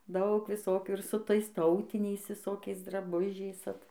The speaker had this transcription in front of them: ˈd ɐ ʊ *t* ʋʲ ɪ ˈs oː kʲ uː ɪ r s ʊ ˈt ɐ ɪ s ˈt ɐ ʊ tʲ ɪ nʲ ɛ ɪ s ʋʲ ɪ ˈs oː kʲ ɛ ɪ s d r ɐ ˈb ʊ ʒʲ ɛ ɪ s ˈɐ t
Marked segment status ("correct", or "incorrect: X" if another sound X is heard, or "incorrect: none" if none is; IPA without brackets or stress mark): incorrect: k